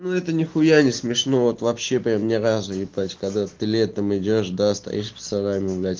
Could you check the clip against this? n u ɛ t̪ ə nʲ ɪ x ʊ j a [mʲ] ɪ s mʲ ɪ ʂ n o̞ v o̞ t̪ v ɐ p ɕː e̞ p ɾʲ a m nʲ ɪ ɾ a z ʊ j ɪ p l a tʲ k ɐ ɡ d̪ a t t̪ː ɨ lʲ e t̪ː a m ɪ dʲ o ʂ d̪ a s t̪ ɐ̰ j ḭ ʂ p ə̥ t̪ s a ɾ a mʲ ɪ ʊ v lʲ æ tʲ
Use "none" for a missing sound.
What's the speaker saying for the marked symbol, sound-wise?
nʲ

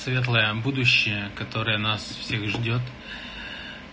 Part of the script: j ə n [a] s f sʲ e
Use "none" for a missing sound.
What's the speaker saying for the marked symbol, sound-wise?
a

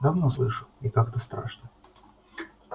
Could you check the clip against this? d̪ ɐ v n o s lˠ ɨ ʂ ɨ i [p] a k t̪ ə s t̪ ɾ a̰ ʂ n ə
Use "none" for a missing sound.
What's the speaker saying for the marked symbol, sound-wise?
k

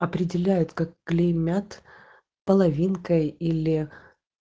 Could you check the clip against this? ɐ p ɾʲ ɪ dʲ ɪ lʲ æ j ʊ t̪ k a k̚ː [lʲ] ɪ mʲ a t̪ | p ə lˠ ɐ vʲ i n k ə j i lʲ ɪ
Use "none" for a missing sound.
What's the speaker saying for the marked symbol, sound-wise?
lʲ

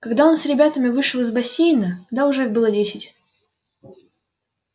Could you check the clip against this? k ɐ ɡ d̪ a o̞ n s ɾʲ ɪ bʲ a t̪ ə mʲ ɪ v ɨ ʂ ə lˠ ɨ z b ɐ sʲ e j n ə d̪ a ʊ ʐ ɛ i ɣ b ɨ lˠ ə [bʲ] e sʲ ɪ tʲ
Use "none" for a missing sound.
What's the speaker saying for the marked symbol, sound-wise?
dʲ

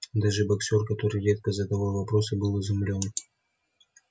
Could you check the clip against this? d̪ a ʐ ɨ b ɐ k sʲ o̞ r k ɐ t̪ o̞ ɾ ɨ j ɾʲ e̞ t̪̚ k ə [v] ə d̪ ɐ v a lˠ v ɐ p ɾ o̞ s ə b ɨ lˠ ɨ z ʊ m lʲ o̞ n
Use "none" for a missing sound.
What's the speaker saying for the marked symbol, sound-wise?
z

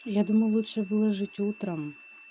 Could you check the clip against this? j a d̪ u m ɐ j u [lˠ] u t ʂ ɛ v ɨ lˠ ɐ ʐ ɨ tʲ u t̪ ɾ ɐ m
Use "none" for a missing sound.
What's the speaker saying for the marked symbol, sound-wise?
lˠ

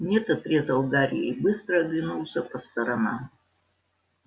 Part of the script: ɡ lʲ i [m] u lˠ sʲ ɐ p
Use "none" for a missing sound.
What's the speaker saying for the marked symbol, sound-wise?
n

